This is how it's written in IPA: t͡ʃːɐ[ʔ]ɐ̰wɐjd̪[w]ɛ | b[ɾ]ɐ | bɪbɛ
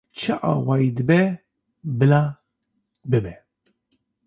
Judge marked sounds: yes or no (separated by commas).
yes, no, no